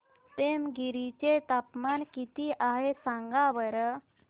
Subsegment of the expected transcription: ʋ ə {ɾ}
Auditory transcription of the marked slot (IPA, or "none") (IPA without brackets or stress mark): ɾ